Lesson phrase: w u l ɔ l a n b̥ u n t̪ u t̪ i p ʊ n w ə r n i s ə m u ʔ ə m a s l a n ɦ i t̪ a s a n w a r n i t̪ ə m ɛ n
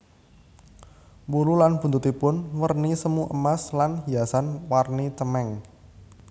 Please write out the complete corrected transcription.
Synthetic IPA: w u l u l a n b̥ u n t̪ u t̪ i p ʊ n w ə r n i s ə m u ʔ ə m a s l a n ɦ i a s a n w a r n i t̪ ə m ɛ ŋ